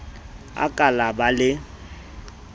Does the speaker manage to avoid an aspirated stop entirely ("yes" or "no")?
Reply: yes